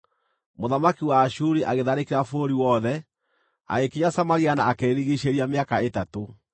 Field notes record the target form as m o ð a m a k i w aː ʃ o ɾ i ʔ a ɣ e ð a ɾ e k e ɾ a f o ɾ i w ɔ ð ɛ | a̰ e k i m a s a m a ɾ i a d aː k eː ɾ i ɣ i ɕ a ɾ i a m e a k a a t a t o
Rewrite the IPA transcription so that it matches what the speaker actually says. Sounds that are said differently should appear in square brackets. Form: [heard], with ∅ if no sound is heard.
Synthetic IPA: m o ð a m a k i w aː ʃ [u] ɾ i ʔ a ɣ e ð a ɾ e k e ɾ a f o ɾ i w ɔ ð ɛ | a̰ e k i [ɲ] a s a m a ɾ i a [n] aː k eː ɾ i ɣ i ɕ [e] ɾ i a m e a k a [e] t a t o